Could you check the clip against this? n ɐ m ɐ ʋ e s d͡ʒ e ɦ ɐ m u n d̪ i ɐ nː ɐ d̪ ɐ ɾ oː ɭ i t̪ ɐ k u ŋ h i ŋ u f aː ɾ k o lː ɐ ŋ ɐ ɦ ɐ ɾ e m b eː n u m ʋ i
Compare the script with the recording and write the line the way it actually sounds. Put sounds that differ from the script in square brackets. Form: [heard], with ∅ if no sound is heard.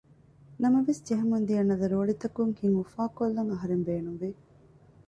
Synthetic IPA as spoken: n ɐ m ɐ ʋ e s d͡ʒ e ɦ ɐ m u n d̪ i ɐ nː ɐ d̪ ɐ ɾ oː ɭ i t̪ ɐ k u ŋ h i ŋ u f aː [∅] k o lː ɐ ŋ ɐ ɦ ɐ ɾ e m b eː n u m ʋ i